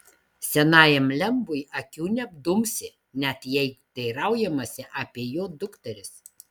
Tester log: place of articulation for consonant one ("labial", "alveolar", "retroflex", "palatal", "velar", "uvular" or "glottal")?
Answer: alveolar